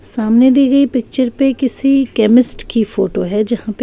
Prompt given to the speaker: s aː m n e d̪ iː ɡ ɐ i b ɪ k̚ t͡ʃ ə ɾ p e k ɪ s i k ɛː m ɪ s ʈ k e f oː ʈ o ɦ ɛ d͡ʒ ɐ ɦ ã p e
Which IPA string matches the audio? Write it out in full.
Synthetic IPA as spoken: s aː m n e d̪ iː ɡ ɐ i p ɪ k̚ t͡ʃ ə ɾ p e k ɪ s i k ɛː m ɪ s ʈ k i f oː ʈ o ɦ ɛ d͡ʒ ɐ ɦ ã p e